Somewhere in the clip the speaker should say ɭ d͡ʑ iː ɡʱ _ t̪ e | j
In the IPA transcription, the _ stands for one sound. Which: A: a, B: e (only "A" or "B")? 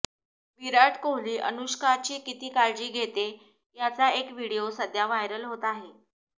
B